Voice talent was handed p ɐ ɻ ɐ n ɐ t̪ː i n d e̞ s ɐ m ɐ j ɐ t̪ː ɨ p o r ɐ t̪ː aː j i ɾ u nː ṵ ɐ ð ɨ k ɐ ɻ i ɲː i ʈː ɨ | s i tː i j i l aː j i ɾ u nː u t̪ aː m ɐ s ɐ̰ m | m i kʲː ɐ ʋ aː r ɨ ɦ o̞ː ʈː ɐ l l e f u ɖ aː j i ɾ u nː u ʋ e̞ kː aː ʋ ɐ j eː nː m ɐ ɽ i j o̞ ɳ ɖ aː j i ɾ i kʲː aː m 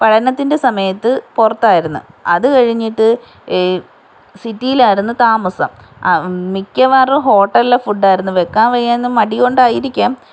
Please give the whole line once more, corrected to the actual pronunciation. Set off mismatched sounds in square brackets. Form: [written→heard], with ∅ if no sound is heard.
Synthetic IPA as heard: p ɐ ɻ ɐ n ɐ t̪ː i n d e̞ s ɐ m ɐ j ɐ t̪ː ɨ p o r ɐ t̪ː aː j i ɾ u nː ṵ ɐ ð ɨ k ɐ ɻ i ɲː i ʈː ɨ | s i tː i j i l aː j i ɾ u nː u t̪ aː m ɐ s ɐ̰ m | m i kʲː ɐ ʋ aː r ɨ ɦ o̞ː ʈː ɐ l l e f u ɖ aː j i ɾ u nː u ʋ e̞ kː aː ʋ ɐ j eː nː m ɐ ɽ i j o̞ ɳ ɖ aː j i ɾ i kʲː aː m